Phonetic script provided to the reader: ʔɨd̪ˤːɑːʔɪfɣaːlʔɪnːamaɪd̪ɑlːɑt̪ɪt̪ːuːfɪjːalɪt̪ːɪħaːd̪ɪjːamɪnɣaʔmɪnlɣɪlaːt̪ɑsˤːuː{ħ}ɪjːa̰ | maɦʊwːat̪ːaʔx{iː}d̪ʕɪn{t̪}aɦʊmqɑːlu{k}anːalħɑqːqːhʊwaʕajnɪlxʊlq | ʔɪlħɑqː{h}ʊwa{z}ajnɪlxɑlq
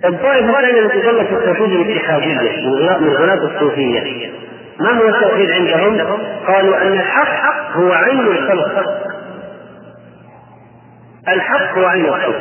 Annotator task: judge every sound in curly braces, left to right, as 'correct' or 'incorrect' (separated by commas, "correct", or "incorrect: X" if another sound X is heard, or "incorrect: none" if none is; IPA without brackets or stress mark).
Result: incorrect: f, correct, incorrect: d̪, incorrect: ʔ, correct, incorrect: ʕ